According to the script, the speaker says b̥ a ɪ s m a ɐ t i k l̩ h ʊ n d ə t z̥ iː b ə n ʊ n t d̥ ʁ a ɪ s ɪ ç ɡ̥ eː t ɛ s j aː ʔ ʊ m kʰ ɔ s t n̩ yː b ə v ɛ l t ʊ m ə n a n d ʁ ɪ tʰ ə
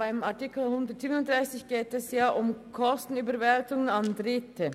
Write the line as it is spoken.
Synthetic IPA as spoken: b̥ a ɪ m a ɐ t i k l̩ h ʊ n d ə t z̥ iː b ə n ʊ n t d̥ ʁ a ɪ s ɪ ç ɡ̥ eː t ɛ s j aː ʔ ʊ m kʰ ɔ s t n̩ yː b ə v ɛ l t ʊ ŋ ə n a n d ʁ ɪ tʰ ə